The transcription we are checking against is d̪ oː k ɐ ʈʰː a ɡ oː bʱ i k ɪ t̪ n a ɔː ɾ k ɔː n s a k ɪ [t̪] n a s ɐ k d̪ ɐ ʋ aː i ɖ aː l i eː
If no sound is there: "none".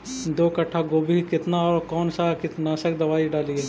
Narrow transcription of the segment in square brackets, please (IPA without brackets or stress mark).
t̪